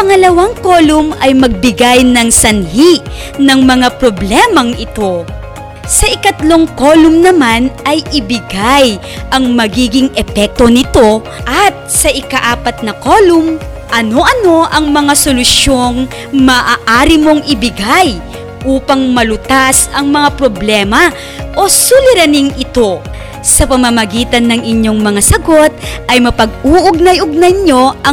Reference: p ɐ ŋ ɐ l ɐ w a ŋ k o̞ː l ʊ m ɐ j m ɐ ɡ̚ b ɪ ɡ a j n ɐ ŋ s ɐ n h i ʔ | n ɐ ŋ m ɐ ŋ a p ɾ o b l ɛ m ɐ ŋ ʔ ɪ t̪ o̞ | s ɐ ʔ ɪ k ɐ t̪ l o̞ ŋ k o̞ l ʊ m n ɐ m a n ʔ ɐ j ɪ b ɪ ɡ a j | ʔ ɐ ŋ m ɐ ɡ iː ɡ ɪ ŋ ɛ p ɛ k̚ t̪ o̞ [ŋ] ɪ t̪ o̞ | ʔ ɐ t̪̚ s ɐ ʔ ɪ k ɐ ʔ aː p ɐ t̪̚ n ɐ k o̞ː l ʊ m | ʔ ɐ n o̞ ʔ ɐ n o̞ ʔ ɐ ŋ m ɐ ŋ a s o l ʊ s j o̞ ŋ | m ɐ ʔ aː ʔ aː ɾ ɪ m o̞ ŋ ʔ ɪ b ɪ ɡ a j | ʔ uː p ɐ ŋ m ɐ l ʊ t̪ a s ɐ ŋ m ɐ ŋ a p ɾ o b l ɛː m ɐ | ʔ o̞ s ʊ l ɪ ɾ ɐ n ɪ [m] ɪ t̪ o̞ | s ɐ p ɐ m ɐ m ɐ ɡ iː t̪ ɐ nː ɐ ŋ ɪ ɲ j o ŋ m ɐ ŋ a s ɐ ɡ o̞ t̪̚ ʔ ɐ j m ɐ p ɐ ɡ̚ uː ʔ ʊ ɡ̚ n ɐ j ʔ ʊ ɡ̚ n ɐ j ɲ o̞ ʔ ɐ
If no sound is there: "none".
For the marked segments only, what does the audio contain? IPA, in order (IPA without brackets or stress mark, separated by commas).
n, ŋ